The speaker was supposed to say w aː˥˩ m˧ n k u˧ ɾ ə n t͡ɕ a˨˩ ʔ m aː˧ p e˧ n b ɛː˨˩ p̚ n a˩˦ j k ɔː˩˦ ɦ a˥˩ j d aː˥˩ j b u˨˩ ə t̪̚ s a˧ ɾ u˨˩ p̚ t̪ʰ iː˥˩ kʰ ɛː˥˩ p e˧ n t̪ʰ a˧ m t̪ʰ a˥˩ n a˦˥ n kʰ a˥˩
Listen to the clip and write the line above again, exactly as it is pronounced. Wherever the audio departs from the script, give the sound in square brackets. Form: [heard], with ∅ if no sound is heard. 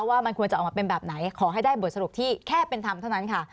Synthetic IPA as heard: w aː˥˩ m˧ n k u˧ [∅] ə n t͡ɕ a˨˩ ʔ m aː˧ p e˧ n b ɛː˨˩ p̚ n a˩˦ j [kʰ] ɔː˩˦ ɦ a˥˩ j d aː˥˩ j b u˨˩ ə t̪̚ s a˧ ɾ u˨˩ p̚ t̪ʰ iː˥˩ kʰ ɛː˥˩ p e˧ n t̪ʰ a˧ m t̪ʰ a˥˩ n a˦˥ n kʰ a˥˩